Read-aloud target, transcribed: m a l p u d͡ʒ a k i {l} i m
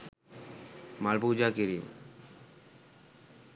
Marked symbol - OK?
no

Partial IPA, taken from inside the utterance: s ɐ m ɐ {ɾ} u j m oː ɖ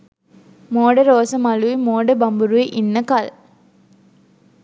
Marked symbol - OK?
no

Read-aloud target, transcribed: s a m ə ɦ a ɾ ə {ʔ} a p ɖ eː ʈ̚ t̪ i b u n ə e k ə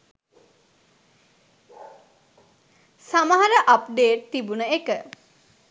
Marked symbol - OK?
yes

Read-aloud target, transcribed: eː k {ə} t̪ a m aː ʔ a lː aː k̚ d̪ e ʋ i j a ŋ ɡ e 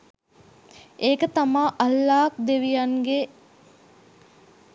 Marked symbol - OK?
yes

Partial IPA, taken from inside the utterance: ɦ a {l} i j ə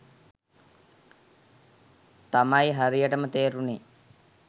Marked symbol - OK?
no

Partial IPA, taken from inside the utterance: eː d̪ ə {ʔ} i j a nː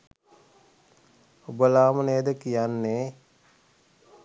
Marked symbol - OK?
no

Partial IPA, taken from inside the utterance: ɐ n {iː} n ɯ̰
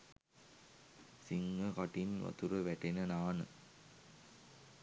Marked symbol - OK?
no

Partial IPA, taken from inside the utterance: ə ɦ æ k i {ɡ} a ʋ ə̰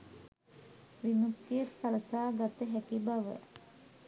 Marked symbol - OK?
no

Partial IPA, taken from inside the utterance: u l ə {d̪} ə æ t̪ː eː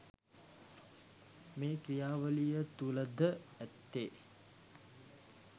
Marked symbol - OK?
yes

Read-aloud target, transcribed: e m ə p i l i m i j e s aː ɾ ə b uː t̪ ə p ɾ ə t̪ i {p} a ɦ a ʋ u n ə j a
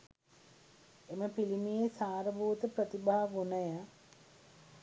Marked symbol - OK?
no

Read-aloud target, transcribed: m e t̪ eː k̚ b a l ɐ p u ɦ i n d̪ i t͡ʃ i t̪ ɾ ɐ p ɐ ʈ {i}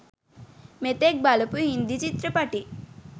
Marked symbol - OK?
yes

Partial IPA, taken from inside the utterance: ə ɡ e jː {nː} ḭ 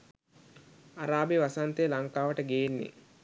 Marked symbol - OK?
yes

